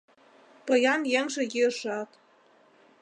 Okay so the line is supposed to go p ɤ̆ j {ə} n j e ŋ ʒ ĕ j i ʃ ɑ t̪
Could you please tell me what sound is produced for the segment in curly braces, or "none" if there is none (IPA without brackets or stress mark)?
ɑ